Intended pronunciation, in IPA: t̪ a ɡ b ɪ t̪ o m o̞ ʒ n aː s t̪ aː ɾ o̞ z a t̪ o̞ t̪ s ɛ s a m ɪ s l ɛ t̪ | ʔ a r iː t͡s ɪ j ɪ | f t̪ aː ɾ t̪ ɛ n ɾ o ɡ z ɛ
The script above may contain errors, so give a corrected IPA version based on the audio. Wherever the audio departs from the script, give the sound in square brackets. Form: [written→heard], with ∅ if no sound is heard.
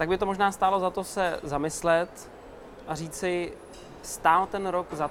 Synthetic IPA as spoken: t̪ a ɡ b ɪ t̪ o m o̞ ʒ n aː s t̪ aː [ɾ→l] o̞ z a t̪ o̞ [t̪→∅] s ɛ [s→z] a m ɪ s l ɛ t̪ | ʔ a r iː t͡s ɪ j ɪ | [f→s] t̪ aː [ɾ→l] t̪ ɛ n ɾ o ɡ z [ɛ→a]